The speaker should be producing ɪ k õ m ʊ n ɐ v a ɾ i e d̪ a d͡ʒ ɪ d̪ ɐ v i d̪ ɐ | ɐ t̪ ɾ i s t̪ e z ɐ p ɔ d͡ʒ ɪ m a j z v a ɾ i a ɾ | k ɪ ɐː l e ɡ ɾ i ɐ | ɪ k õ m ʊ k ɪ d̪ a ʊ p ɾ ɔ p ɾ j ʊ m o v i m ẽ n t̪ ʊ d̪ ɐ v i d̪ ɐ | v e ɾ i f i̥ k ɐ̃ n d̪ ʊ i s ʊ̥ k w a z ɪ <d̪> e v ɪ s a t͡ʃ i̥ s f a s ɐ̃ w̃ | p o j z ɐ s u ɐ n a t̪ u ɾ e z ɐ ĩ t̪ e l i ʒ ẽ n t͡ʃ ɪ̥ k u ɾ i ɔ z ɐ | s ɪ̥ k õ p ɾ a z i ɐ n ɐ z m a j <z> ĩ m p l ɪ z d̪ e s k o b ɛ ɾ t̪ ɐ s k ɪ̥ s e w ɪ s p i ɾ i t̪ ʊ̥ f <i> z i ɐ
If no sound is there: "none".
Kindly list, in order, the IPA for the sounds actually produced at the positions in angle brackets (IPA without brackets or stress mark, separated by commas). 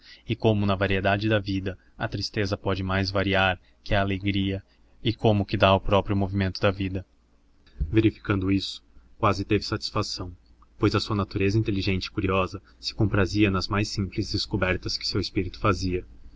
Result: t̪, s, a